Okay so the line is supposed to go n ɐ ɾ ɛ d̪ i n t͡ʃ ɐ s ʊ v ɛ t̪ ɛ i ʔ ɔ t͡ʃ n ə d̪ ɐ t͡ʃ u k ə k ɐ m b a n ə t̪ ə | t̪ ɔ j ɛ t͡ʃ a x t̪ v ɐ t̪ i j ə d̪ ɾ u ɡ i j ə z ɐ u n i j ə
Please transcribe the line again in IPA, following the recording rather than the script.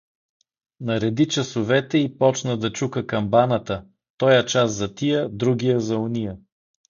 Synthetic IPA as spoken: n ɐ ɾ ɛ d̪ i t͡ʃ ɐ s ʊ v ɛ t̪ ɛ i p ɔ t͡ʃ n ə d̪ ɐ t͡ʃ u k ə k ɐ m b a n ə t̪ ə | t̪ ɔ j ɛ t͡ʃ a s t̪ z ɐ t̪ i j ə d̪ ɾ u ɡ i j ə z ɐ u n i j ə